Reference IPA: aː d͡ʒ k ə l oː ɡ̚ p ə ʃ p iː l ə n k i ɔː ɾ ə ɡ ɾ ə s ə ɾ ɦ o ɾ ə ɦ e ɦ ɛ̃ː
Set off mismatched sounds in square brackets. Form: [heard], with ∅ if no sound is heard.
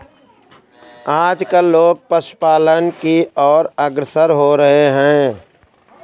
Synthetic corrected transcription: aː d͡ʒ k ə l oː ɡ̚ p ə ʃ p [aː] l ə n k i ɔː ɾ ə ɡ ɾ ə s ə ɾ ɦ o ɾ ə ɦ e ɦ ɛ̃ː